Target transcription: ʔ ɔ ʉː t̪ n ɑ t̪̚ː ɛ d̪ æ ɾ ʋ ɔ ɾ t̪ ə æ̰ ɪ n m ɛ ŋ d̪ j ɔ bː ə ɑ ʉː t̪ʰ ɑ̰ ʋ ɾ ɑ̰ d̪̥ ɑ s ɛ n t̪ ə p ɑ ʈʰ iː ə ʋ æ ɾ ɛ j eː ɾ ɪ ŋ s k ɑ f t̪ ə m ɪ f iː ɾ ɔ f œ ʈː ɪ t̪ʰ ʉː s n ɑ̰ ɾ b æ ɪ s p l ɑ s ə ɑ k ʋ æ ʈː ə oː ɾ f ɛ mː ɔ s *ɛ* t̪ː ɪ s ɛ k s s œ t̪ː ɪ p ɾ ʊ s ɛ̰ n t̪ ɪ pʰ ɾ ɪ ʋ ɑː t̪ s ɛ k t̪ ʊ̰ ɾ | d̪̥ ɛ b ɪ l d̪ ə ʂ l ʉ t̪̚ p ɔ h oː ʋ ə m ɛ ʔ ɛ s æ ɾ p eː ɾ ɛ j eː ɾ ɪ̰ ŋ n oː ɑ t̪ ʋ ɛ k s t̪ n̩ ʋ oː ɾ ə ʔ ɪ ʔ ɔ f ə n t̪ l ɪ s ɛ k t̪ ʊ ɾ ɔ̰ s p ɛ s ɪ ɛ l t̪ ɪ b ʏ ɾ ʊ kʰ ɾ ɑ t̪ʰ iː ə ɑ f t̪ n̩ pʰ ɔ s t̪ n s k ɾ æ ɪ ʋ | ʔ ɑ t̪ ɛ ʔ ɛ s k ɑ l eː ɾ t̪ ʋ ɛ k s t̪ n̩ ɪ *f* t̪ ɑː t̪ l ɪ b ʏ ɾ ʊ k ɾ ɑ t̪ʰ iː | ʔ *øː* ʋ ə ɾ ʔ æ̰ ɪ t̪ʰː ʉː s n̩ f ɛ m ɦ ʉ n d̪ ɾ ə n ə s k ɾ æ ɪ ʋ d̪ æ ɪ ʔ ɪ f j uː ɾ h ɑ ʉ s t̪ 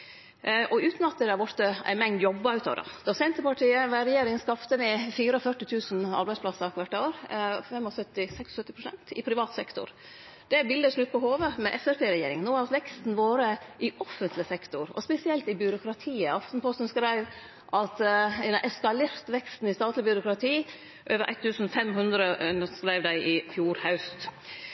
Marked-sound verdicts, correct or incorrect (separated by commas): incorrect, incorrect, correct